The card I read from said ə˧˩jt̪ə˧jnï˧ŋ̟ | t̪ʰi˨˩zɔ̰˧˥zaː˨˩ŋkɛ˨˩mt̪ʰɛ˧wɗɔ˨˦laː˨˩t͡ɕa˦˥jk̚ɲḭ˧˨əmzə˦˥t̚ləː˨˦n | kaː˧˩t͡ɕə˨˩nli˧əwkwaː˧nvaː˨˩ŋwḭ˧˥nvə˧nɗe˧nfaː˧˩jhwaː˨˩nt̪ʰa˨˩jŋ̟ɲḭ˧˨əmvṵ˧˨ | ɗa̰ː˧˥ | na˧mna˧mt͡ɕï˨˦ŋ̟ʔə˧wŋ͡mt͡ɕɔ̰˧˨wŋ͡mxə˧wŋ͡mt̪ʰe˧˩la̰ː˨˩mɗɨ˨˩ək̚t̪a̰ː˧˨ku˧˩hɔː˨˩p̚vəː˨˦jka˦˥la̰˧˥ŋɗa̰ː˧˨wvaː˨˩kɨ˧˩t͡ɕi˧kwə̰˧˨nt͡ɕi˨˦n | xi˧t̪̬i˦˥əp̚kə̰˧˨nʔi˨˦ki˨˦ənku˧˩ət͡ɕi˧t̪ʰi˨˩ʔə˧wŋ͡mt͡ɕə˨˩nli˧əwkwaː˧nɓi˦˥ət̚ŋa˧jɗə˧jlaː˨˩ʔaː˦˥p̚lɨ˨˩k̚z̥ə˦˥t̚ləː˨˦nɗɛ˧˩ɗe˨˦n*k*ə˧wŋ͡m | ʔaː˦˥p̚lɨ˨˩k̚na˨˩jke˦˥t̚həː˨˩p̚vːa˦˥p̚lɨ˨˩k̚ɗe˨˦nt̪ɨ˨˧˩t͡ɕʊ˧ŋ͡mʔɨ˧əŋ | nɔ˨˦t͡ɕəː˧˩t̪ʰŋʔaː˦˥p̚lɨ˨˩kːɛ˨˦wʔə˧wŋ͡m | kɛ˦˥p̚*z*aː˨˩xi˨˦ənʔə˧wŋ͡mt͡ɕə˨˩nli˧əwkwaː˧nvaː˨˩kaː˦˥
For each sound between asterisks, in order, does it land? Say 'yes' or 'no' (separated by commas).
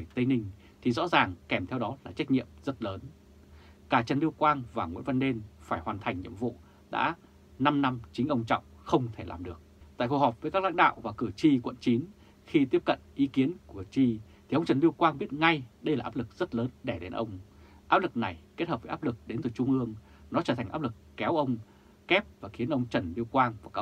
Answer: no, no